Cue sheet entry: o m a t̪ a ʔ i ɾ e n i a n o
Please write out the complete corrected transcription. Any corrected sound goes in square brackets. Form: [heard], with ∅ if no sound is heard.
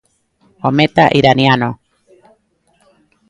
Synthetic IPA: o m [e] t̪ a ʔ i ɾ [a] n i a n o